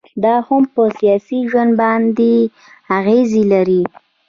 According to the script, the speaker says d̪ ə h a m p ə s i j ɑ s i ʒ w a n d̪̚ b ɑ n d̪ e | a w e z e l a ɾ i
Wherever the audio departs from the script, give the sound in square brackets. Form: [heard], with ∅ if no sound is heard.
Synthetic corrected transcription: d̪ [ɑ] h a m p ə s i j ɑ s i ʒ w a n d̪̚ b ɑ n d̪ e | a [ɣ] e z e l a ɾ i